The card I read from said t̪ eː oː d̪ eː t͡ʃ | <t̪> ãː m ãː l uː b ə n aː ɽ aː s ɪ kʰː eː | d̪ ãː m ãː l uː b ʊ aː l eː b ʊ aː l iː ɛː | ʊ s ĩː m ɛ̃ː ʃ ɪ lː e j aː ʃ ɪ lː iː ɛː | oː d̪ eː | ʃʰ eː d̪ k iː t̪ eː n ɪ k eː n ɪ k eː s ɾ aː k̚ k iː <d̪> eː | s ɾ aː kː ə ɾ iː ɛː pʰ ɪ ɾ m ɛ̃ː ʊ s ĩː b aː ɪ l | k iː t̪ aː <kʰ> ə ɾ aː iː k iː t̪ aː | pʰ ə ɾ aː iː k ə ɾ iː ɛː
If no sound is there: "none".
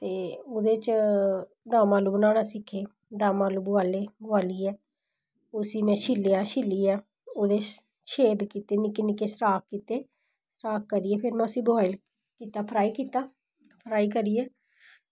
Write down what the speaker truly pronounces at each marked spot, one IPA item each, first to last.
d̪, t̪, pʰ

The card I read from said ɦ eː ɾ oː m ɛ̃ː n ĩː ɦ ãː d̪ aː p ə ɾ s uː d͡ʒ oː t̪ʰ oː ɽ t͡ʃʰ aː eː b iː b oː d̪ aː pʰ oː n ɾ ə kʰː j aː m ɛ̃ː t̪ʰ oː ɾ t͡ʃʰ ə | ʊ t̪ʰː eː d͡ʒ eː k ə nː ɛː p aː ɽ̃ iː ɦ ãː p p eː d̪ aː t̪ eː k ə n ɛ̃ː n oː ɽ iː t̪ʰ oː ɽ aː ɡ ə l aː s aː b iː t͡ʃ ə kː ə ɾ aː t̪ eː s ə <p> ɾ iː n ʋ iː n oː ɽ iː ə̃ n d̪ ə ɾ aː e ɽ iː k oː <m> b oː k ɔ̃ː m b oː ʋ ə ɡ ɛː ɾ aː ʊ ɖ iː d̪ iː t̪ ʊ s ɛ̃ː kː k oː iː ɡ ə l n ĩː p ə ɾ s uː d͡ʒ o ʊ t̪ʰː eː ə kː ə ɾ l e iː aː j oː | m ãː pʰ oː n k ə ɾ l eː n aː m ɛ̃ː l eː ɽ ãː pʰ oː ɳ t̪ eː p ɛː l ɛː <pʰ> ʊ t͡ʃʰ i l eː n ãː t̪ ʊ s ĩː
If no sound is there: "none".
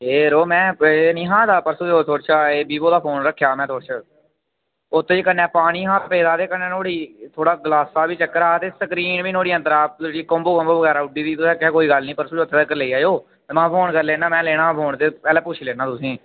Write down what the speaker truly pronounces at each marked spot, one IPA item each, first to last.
k, m, p

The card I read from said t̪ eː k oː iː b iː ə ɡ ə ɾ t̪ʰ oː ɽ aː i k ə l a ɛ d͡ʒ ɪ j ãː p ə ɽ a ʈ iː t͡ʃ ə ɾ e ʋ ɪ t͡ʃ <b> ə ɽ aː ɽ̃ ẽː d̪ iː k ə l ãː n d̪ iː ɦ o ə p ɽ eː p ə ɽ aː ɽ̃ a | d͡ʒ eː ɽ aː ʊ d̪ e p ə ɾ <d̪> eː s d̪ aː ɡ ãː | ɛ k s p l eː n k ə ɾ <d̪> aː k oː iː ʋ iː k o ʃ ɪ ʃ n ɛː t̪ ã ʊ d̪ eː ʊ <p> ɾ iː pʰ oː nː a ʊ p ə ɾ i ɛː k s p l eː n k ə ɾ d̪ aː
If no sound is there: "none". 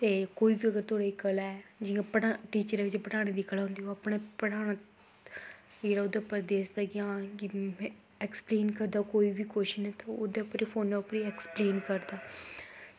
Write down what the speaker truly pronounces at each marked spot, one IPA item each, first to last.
p, d̪, d̪, p

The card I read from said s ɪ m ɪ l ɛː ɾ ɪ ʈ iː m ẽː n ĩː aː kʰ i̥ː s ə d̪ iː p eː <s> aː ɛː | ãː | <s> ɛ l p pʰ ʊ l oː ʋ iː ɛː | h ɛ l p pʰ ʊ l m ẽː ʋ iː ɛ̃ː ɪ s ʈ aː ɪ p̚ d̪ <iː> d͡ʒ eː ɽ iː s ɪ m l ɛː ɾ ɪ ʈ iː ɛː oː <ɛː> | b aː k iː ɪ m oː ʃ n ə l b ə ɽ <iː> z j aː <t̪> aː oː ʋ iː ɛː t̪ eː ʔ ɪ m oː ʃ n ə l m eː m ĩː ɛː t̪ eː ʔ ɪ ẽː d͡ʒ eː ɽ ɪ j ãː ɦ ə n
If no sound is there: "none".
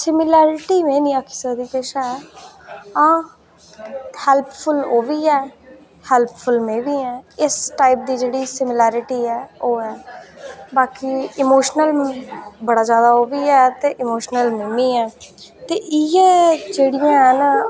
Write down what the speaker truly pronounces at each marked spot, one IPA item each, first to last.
ʃ, h, iː, ɛː, aː, d̪

